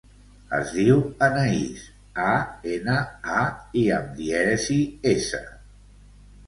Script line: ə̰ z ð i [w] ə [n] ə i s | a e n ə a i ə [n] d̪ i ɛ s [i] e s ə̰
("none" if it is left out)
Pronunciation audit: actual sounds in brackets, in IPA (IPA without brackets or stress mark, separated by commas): w, n, m, i